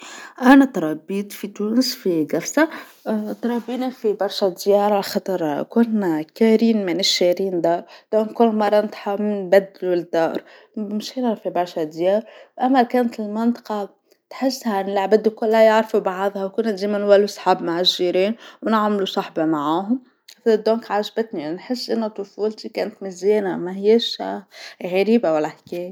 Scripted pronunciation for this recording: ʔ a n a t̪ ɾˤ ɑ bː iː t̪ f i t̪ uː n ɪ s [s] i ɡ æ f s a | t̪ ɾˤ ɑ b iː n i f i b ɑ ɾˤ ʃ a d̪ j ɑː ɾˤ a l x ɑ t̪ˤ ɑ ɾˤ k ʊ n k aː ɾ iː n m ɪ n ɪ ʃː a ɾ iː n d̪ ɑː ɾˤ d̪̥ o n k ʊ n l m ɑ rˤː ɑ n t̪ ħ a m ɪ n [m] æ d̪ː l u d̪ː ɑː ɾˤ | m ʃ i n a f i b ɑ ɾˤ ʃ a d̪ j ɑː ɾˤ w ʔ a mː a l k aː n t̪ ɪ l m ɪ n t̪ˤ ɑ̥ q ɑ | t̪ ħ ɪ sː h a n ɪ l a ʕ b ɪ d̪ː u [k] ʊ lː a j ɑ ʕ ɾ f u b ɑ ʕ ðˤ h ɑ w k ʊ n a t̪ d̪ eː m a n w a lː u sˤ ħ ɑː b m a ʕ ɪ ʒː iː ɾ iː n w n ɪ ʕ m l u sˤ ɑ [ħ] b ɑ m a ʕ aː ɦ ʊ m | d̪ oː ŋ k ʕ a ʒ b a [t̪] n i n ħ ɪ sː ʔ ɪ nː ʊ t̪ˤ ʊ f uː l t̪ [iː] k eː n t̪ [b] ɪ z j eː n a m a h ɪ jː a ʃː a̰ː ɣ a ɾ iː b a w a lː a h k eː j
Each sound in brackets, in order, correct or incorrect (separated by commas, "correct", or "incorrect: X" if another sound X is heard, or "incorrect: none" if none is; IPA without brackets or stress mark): incorrect: f, incorrect: b, correct, correct, correct, incorrect: i, incorrect: m